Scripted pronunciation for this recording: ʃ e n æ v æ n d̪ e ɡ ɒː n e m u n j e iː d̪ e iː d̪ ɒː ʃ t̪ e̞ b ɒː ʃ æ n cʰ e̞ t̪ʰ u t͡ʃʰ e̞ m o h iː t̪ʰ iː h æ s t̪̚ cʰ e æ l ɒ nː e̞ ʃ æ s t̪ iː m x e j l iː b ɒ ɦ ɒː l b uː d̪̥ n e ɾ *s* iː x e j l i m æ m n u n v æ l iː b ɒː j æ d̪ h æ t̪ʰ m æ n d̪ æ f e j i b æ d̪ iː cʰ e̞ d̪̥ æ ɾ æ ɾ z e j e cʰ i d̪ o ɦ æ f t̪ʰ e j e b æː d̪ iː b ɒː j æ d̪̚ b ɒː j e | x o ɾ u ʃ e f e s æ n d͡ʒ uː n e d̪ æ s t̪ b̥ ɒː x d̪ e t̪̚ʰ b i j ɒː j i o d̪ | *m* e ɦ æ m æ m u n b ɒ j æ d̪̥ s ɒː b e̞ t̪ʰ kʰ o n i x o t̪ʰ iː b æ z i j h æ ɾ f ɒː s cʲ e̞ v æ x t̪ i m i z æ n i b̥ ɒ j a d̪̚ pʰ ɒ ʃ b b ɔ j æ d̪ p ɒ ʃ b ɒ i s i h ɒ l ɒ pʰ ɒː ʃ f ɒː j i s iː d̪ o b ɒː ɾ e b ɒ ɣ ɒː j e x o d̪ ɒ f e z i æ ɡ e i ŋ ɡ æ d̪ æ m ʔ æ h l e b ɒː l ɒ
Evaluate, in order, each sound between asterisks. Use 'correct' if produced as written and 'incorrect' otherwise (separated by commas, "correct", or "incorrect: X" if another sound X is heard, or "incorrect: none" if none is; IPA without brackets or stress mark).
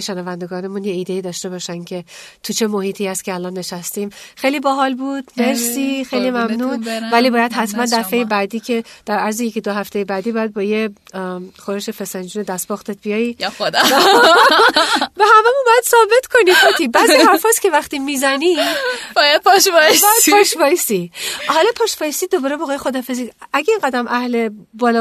correct, incorrect: b